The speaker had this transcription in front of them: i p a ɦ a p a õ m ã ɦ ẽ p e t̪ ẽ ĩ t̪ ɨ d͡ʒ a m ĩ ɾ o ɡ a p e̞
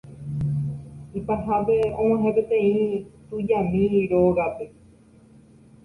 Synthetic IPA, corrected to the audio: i p a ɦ a p e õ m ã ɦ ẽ p e t̪ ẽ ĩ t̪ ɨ d͡ʒ a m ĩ ɾ o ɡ a p e̞